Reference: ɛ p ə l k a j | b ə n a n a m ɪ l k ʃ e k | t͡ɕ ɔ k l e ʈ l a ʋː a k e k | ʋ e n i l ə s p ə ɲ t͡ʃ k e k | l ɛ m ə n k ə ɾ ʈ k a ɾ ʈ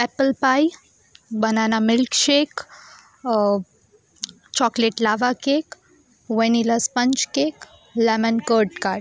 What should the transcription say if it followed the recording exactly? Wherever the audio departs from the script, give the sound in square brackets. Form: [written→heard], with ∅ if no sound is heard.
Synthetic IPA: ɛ p ə l [k→p] a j | b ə n a n a m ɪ l k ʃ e k | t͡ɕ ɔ k l e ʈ l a [ʋː→ʋ] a k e k | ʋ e n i l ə s p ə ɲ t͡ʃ k e k | l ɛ m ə n k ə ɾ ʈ k a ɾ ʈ

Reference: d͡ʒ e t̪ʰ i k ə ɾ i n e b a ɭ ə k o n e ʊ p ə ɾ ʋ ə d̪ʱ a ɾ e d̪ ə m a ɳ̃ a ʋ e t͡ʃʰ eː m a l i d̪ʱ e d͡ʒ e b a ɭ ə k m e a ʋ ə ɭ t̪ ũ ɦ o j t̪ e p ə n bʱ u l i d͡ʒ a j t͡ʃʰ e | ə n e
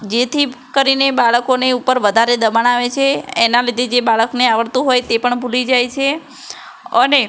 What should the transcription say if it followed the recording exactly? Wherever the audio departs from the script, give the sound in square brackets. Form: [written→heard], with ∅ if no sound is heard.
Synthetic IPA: d͡ʒ e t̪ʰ i k ə ɾ i n e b a ɭ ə k o n e [ʊ→u] p ə ɾ ʋ ə d̪ʱ a ɾ e d̪ ə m a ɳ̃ a ʋ e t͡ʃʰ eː [m→n] a l i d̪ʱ e d͡ʒ e b a ɭ ə k [m→n] e a ʋ ə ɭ t̪ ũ ɦ o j t̪ e p ə [n→ɳ] bʱ u l i d͡ʒ a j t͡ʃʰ e | ə n e

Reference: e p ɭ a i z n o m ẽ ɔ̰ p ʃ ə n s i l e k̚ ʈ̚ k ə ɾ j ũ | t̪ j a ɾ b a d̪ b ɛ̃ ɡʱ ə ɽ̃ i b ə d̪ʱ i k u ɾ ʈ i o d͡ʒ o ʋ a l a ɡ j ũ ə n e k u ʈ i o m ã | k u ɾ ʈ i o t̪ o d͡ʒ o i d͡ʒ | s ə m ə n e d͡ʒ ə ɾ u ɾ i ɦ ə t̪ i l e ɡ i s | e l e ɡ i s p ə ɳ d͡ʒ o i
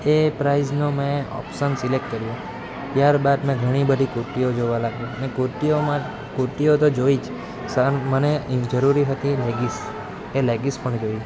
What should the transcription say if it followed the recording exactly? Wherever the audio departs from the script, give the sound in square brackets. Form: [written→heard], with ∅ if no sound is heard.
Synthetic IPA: e p [ɭ→ɾ] a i z n o m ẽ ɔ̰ p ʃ ə n s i l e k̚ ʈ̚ k ə ɾ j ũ | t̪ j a ɾ b a d̪ [b→m] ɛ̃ ɡʱ ə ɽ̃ i b ə d̪ʱ i k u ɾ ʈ i o d͡ʒ o ʋ a l a ɡ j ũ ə n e k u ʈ i o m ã | k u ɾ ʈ i o t̪ o d͡ʒ o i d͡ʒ | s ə m ə n e d͡ʒ ə ɾ u ɾ i ɦ ə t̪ i l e ɡ i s | e l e ɡ i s p ə ɳ d͡ʒ o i

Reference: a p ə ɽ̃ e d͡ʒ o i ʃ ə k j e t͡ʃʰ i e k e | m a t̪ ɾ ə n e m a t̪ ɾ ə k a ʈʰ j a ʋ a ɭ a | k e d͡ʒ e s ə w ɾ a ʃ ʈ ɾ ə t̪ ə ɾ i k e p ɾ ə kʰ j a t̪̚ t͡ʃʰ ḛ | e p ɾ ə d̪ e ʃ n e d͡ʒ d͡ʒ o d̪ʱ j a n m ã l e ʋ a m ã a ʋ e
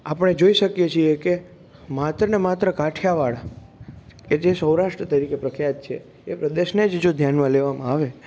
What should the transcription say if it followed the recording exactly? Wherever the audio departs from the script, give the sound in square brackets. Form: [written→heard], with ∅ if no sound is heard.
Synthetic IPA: a p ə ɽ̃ e d͡ʒ o i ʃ ə k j e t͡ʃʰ i e k e | m a t̪ ɾ ə n e m a t̪ ɾ ə k a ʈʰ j a ʋ a ɭ a | k e d͡ʒ e s ə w ɾ a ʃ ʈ ɾ ə t̪ ə ɾ i k e p ɾ ə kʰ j a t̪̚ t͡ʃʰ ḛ | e p ɾ ə d̪ e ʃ n e d͡ʒ d͡ʒ o d̪ʱ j a n m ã l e ʋ a m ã a ʋ e

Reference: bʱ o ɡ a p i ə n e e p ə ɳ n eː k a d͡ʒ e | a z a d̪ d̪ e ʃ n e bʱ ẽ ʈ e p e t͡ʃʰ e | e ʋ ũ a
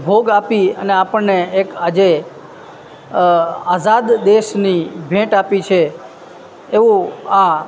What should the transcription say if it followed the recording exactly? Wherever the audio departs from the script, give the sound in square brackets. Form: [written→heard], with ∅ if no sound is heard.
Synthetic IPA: bʱ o ɡ a p i ə n e [e→a] p ə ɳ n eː k a d͡ʒ e | a z a d̪ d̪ e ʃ n [e→i] bʱ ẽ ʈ [e→a] p [e→i] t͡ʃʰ e | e ʋ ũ a

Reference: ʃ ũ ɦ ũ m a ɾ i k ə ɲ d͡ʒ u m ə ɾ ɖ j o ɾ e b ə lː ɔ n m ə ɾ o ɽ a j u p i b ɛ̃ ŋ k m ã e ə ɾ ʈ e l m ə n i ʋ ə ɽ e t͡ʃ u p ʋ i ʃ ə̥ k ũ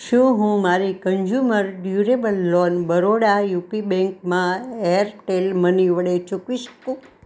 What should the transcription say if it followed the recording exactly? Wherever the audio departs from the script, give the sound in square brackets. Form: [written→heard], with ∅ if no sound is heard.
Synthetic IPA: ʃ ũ ɦ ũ m a ɾ i k ə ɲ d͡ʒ u m ə ɾ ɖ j [o→u] ɾ e b ə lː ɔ n [m→b] ə ɾ o ɽ a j u p i b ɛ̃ ŋ k m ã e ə ɾ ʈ e l m ə n i ʋ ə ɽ e t͡ʃ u [p→k] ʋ i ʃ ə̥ k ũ

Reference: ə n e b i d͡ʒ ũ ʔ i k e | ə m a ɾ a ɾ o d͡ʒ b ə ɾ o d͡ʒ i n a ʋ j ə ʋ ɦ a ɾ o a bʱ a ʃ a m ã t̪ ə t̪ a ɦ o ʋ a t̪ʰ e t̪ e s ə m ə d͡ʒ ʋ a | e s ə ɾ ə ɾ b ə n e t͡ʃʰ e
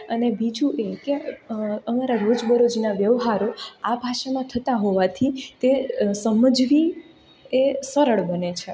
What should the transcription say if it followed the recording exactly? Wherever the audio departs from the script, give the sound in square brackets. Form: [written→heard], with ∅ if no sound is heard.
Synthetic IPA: ə n e b i d͡ʒ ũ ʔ [i→e] k e | ə m a ɾ a ɾ o d͡ʒ b ə ɾ o d͡ʒ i n a ʋ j ə ʋ ɦ a ɾ o a bʱ a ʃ a m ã [t̪→t̪ʰ] ə t̪ a ɦ o ʋ a t̪ʰ [e→i] t̪ e s ə m ə d͡ʒ ʋ [a→i] | e s ə ɾ ə [ɾ→ɭ] b ə n e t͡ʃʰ e

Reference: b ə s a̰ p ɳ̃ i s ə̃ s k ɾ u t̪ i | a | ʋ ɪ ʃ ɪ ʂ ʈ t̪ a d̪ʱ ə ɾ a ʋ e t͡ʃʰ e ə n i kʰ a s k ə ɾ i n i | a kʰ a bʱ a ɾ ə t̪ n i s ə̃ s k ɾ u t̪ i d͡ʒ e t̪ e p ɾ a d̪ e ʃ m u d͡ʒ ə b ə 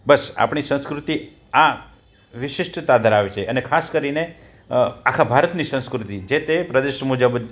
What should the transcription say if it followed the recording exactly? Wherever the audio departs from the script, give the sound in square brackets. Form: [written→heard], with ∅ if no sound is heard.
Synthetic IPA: b ə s a̰ p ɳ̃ i s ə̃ s k ɾ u t̪ i | a | ʋ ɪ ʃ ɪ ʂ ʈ t̪ a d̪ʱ ə ɾ a ʋ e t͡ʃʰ e ə n [i→e] kʰ a s k ə ɾ i n [i→e] | a kʰ a bʱ a ɾ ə t̪ n i s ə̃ s k ɾ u t̪ i d͡ʒ e t̪ e p ɾ [a→ə] d̪ e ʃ m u d͡ʒ ə b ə

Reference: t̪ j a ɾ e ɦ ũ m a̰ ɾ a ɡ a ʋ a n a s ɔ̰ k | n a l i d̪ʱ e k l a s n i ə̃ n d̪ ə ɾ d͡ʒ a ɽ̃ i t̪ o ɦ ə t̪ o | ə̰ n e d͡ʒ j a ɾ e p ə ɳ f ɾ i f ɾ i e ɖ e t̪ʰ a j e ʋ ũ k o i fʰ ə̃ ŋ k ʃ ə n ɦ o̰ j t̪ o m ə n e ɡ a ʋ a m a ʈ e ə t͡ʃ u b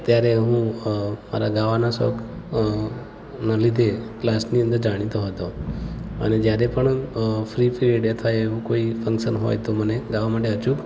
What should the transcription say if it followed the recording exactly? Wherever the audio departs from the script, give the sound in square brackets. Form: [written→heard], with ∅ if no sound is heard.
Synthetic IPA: t̪ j a ɾ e ɦ ũ m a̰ ɾ a ɡ a ʋ a n a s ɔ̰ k | n a l i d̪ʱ e k l a s n i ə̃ n d̪ ə ɾ d͡ʒ a ɽ̃ i t̪ o ɦ ə t̪ o | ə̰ n e d͡ʒ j a ɾ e p ə ɳ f ɾ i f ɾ i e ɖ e t̪ʰ a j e ʋ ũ k o i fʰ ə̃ ŋ k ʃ ə n ɦ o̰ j t̪ o m ə n e ɡ a ʋ a m a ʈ e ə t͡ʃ u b

